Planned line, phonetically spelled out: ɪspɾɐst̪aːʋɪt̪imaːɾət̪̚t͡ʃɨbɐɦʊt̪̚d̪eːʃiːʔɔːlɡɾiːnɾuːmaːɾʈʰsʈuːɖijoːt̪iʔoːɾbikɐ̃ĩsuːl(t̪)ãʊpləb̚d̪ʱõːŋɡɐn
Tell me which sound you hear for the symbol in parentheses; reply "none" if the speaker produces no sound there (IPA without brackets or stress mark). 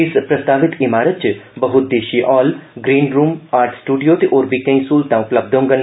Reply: t̪